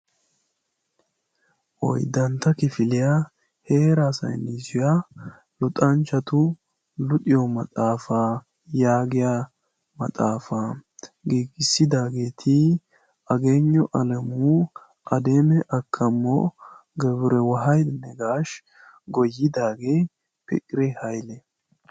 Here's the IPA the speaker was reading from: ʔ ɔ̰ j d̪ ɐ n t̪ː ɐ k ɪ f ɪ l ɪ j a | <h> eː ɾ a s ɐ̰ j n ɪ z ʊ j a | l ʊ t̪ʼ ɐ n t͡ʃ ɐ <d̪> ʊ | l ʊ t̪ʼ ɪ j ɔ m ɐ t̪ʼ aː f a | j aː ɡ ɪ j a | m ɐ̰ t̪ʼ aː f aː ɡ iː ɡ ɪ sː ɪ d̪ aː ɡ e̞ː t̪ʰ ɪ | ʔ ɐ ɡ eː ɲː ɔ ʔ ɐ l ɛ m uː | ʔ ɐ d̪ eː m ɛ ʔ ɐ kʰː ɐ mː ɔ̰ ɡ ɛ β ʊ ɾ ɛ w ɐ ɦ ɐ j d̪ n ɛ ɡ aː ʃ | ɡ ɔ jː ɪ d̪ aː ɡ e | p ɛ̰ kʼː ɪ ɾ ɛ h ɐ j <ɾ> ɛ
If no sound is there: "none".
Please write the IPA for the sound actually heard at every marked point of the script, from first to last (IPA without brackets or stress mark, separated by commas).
h, t̪, l